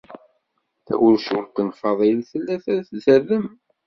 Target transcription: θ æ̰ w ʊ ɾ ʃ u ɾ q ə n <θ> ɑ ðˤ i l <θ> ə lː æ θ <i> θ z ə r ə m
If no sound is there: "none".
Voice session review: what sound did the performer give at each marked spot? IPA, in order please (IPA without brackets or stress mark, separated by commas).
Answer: f, θ, æ